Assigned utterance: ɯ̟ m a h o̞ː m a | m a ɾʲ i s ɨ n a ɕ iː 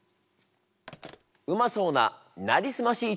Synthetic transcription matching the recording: ɯ̟ m a s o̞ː n a | n a ɾʲ i s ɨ m a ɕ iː